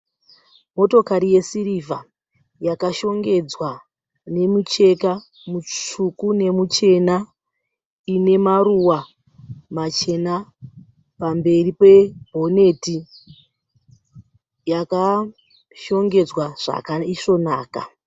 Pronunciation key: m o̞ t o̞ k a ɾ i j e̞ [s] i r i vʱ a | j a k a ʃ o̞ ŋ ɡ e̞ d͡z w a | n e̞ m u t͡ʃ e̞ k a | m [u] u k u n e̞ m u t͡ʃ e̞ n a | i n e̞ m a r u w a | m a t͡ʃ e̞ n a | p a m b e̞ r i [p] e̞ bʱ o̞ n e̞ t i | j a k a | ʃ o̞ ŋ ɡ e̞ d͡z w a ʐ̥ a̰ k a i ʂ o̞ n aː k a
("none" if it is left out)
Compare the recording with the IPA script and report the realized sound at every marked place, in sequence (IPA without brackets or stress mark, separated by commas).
s, u, p